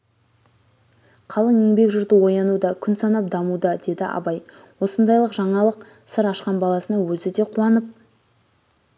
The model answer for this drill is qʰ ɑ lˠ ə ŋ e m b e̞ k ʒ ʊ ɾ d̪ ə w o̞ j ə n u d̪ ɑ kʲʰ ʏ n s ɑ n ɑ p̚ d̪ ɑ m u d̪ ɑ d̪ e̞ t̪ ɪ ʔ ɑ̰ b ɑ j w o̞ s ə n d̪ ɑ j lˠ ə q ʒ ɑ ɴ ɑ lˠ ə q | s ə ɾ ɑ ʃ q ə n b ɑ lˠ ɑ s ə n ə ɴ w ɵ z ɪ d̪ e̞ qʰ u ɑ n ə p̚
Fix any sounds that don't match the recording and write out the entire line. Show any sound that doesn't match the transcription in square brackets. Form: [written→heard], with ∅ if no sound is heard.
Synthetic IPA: qʰ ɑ lˠ ə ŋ e [m→ŋ] b e̞ k ʒ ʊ ɾ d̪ ə w o̞ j [ə→ɑ] n u d̪ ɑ kʲʰ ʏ n s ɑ n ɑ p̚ d̪ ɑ m u d̪ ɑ d̪ e̞ [t̪→d̪] ɪ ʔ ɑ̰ b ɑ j w o̞ s ə n d̪ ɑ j lˠ ə q ʒ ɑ ɴ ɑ lˠ ə q | s ə ɾ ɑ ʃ q [ə→ɑ] n b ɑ lˠ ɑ s ə n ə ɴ w ɵ z ɪ d̪ e̞ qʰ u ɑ n ə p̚